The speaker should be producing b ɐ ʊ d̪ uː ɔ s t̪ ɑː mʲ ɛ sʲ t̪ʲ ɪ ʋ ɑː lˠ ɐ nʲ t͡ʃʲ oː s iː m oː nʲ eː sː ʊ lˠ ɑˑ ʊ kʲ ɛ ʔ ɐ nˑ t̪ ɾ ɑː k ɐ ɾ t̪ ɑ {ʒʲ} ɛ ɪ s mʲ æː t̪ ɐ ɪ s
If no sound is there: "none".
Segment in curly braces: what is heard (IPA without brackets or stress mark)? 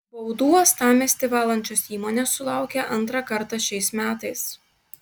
ʃʲ